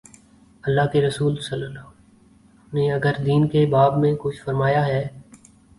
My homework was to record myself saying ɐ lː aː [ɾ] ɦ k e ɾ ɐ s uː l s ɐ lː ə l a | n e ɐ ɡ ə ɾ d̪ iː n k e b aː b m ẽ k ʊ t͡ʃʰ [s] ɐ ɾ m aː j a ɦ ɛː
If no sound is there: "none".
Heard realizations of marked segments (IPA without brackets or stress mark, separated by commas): none, f